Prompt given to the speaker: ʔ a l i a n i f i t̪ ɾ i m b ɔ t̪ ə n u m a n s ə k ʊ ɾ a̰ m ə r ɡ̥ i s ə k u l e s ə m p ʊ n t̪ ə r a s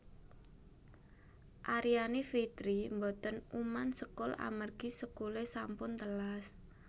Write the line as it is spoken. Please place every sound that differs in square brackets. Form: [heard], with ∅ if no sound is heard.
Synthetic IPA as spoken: ʔ a [ɾ] i a n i f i t̪ ɾ i m b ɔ t̪ ə n u m a n s ə k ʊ [l] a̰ m ə r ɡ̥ i s ə k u l e s [a] m p ʊ n t̪ ə [l] a s